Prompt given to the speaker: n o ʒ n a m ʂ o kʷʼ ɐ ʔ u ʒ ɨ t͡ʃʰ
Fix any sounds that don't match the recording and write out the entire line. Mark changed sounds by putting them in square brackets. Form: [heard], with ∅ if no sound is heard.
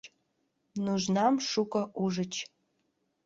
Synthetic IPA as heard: n [u] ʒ n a m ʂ [u] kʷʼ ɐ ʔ u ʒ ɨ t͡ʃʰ